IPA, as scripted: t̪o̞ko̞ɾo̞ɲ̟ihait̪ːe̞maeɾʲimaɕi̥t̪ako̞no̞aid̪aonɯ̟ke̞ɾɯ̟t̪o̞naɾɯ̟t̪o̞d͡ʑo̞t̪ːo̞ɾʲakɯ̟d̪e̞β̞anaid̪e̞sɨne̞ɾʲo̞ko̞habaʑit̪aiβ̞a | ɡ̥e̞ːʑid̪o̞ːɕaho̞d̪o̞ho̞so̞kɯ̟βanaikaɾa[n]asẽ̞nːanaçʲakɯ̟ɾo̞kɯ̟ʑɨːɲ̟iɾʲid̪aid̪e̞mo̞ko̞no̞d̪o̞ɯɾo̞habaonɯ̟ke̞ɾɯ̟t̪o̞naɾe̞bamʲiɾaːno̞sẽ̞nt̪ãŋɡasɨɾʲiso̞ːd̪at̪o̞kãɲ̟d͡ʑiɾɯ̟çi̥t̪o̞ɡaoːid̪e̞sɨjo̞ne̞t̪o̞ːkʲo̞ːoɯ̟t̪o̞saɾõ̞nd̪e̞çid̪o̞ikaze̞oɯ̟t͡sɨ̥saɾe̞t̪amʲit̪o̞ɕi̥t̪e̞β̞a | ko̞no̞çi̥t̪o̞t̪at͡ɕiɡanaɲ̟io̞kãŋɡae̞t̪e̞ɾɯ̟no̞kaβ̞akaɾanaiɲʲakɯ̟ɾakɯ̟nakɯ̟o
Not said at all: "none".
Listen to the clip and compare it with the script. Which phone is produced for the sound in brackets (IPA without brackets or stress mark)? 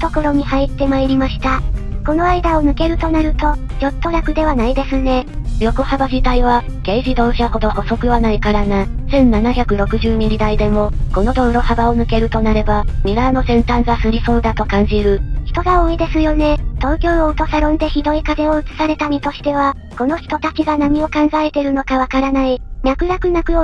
n